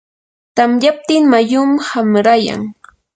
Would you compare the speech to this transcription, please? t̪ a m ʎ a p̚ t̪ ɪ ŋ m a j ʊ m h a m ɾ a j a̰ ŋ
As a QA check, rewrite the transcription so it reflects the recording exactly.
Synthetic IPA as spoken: t̪ a m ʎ a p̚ t̪ ɪ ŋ m a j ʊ m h a m ɾ a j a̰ ŋ